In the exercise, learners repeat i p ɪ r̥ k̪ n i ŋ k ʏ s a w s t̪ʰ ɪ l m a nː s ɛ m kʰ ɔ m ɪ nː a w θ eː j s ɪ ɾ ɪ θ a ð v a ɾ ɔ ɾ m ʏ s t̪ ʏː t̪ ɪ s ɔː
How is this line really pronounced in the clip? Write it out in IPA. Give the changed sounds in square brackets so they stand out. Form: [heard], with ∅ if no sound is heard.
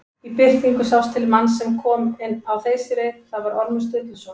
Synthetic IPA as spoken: i p ɪ r̥ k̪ n i ŋ k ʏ s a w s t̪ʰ ɪ l m a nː s ɛ m kʰ [ɔː] m ɪ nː a w θ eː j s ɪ ɾ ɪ θ a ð v a ɾ ɔ ɾ m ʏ s t̪ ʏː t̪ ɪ s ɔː